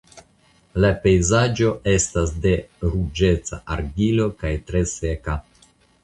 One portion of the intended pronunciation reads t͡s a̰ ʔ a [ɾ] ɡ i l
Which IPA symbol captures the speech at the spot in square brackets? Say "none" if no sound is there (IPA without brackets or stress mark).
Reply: ɾ